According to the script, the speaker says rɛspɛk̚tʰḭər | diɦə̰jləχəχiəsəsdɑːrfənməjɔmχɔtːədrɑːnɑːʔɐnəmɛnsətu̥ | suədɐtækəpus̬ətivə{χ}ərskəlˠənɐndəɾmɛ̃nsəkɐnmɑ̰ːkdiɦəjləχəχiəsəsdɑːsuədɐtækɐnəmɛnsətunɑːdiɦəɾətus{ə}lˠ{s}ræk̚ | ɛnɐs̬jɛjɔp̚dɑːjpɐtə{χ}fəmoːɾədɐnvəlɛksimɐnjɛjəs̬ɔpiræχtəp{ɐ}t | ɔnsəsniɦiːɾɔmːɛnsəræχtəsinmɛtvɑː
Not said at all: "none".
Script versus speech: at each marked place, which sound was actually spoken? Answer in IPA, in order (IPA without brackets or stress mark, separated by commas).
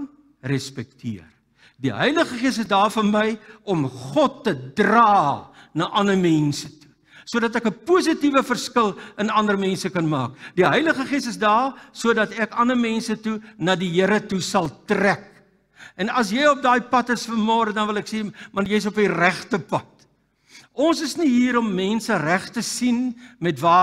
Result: f, ɐ, t, s, ɐ